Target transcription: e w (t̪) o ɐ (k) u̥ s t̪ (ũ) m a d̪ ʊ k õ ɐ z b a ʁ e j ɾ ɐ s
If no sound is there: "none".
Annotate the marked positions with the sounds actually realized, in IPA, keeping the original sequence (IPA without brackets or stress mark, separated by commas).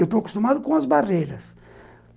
t̪, k, u